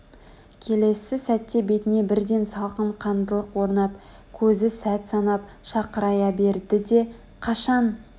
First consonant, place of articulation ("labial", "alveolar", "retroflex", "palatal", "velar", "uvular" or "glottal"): velar